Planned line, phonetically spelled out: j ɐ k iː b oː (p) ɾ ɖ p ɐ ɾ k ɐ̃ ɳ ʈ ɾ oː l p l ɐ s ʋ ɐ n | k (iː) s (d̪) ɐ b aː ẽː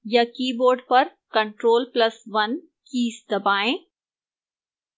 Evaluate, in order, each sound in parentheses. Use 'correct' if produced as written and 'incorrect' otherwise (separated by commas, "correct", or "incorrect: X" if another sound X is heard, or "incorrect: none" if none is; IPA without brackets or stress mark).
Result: incorrect: none, correct, correct